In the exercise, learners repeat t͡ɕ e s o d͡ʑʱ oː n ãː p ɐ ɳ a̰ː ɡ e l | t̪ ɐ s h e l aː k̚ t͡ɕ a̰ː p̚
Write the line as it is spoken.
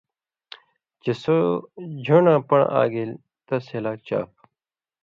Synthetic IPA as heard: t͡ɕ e s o d͡ʑʱ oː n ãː p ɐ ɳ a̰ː ɡ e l | t̪ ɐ s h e l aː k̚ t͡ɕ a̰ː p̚